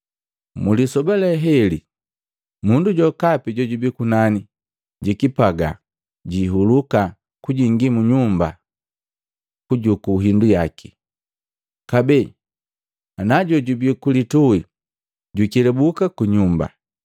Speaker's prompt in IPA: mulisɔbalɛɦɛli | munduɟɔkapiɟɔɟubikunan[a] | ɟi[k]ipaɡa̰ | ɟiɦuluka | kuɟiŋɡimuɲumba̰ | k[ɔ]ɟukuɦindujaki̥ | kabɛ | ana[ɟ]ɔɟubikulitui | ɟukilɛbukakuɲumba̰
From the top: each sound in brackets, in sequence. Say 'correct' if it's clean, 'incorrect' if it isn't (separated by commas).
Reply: incorrect, correct, incorrect, correct